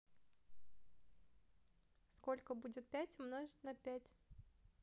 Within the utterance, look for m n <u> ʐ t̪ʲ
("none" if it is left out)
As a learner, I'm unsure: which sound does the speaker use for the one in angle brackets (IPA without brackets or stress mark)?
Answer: o